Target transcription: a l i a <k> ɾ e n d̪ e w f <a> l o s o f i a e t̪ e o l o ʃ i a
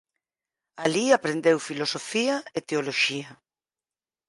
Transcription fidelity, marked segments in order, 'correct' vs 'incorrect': incorrect: p, incorrect: i

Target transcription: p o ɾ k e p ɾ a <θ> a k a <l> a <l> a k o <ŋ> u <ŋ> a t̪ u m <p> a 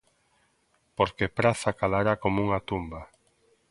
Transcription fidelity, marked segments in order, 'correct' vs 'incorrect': correct, correct, incorrect: ɾ, incorrect: m, correct, incorrect: b

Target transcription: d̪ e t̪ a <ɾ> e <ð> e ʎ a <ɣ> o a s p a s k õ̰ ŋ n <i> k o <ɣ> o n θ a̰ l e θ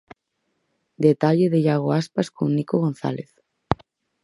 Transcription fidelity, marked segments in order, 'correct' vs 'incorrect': incorrect: ʎ, correct, correct, correct, correct

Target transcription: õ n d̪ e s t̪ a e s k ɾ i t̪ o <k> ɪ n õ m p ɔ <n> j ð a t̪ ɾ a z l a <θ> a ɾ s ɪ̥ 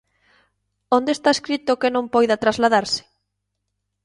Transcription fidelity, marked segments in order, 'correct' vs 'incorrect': correct, incorrect: none, incorrect: ð

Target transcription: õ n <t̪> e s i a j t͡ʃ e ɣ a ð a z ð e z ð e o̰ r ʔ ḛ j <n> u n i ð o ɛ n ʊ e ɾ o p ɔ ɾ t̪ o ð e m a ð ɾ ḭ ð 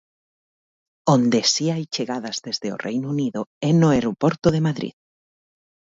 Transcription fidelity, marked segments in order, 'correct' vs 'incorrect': incorrect: d̪, correct

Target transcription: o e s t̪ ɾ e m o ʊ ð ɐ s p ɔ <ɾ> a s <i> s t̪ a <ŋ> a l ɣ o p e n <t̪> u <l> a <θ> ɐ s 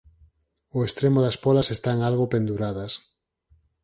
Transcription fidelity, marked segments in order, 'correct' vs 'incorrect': incorrect: l, incorrect: e, correct, incorrect: d̪, incorrect: ɾ, incorrect: ð

